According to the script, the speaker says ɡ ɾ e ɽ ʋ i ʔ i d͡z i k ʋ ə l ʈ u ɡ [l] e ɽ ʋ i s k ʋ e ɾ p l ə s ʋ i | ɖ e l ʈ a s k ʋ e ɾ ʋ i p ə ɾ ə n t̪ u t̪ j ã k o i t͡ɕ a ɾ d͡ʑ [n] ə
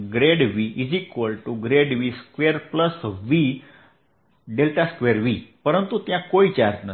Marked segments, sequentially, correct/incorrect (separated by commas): incorrect, correct